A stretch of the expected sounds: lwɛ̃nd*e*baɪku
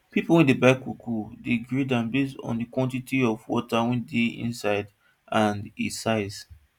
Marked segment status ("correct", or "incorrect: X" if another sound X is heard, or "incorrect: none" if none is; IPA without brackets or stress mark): correct